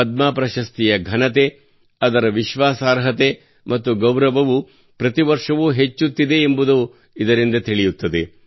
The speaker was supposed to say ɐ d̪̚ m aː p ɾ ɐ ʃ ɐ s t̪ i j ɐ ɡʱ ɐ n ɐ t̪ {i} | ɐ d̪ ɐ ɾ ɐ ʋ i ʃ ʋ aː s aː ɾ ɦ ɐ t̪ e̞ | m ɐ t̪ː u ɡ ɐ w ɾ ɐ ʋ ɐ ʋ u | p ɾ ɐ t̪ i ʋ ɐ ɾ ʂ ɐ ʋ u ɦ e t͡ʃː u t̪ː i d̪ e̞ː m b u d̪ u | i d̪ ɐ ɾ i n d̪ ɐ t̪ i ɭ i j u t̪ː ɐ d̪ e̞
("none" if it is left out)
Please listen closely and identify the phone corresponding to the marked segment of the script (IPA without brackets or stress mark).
e